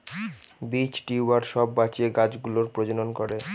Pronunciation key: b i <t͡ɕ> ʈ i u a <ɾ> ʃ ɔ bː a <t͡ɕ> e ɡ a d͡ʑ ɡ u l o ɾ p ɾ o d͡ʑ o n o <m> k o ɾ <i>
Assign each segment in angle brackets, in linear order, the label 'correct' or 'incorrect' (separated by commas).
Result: correct, correct, correct, incorrect, incorrect